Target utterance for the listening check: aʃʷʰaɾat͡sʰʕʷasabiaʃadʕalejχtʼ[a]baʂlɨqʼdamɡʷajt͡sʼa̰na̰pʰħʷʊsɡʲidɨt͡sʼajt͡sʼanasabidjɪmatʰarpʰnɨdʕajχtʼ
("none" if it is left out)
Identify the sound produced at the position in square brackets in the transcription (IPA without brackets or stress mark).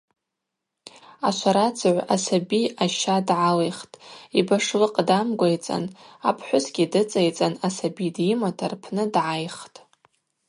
i